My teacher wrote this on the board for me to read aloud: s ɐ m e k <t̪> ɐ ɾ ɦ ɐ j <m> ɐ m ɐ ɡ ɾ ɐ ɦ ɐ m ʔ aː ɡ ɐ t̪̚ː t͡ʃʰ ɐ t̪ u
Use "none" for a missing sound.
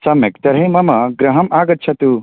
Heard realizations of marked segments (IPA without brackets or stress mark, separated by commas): t̪, m